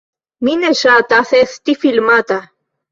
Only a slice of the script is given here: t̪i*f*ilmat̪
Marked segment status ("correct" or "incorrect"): correct